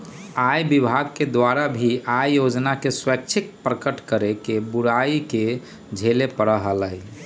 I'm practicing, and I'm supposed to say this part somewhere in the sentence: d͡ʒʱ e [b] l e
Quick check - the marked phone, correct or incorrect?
incorrect